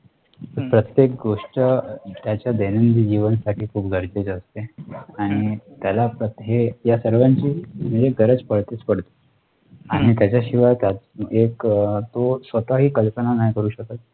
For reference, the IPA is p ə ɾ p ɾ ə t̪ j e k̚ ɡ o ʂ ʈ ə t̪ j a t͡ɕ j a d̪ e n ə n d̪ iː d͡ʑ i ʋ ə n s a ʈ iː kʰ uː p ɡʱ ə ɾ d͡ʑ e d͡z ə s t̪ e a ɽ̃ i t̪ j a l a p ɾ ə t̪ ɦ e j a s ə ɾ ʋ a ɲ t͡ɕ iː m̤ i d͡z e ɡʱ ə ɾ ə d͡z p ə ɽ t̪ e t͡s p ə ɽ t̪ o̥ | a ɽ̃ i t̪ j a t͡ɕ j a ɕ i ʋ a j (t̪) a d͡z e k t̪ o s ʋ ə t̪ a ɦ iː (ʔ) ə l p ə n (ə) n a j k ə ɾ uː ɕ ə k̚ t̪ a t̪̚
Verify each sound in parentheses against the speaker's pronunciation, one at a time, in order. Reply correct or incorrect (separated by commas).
correct, incorrect, incorrect